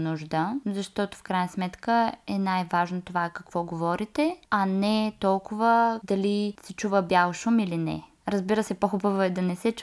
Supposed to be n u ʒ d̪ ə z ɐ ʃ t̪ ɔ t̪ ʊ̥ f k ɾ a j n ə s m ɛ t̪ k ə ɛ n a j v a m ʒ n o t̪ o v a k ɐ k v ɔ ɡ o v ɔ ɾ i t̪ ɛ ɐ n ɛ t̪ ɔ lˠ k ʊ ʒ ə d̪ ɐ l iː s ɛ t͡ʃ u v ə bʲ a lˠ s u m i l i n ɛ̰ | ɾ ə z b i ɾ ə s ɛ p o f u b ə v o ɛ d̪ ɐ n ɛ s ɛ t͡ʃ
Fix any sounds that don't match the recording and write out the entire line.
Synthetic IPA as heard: n u ʒ d̪ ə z ɐ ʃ t̪ ɔ t̪ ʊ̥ f k ɾ a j n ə s m ɛ t̪ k ə ɛ n a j v a ʒ n o t̪ o v a k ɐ k v ɔ ɡ o v ɔ ɾ i t̪ ɛ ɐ n ɛ t̪ ɔ lˠ k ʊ v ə d̪ ɐ l i s ɛ t͡ʃ u v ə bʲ a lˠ ʃ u m i l i n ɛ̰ | ɾ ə z b i ɾ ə s ɛ p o x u b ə v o ɛ d̪ ɐ n ɛ s ɛ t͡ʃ